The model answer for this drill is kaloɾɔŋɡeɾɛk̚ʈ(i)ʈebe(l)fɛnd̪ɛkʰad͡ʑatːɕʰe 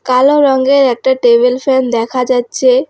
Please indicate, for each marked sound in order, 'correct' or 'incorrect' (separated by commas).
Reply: incorrect, correct